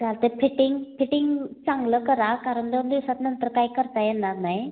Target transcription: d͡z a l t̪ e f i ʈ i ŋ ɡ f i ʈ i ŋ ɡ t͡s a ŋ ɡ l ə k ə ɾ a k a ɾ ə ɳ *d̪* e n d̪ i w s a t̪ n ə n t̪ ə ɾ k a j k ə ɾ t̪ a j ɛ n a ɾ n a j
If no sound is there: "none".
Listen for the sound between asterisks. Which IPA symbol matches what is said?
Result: d̪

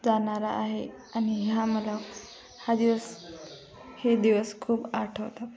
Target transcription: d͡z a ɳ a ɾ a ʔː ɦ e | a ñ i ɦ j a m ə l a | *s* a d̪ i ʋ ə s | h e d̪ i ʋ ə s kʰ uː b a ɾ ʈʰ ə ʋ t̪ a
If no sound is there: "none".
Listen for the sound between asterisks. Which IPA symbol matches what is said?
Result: h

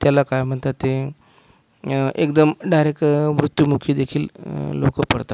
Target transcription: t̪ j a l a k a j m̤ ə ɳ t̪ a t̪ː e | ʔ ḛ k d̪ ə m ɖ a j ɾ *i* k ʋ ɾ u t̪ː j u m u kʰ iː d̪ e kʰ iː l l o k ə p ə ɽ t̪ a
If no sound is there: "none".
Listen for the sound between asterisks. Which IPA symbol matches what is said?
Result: e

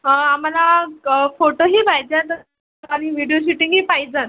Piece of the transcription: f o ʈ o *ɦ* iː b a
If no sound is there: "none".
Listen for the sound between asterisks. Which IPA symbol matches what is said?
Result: ɦ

